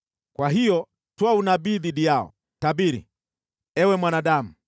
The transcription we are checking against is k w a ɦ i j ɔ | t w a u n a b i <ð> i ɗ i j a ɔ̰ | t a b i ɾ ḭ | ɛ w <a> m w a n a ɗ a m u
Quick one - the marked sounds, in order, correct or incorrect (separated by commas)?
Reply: correct, incorrect